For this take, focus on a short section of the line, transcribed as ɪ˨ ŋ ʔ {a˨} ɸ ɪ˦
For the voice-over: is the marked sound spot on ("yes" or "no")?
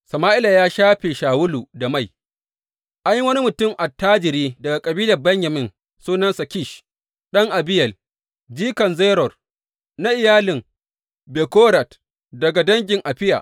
yes